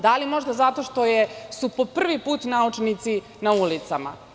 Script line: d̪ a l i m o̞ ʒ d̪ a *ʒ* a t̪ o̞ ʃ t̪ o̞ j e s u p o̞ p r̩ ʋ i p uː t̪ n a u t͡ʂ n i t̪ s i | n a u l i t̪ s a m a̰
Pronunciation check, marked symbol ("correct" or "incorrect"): incorrect